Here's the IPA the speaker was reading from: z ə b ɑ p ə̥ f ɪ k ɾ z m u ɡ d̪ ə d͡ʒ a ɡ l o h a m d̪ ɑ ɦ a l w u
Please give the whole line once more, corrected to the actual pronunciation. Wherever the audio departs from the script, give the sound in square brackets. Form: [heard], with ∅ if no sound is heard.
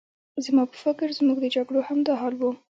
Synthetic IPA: z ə [m] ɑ p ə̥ f ɪ k ɾ z m u ɡ d̪ ə d͡ʒ a ɡ [ɽ] o h a m d̪ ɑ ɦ [ɑ] l w u